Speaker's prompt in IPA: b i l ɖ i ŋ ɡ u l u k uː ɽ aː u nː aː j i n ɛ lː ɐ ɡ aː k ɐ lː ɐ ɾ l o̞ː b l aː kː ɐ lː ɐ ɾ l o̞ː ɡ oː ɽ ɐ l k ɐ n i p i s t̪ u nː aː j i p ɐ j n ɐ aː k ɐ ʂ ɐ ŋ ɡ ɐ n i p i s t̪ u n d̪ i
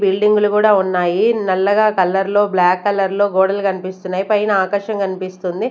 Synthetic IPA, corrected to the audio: b i l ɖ i ŋ ɡ u l u k uː ɽ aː u nː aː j i n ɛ lː ɐ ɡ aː k ɐ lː ɐ ɾ l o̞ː b l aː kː ɐ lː ɐ ɾ l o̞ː ɡ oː ɽ ɐ l k ɐ n i p i s t̪ u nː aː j i p ɐ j n ɐ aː k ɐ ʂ ɐ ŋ k ɐ n i p i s t̪ u n d̪ i